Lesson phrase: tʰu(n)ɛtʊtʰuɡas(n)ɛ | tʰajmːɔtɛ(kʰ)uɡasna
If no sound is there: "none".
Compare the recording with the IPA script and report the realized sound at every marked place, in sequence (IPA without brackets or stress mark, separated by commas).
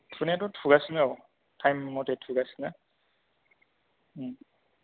n, n, tʰ